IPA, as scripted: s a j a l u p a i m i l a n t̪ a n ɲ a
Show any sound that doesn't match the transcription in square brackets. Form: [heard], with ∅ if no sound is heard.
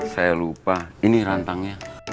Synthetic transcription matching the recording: s a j a l u p a i [n] i [ɾ] a n t̪ a [ŋ] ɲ a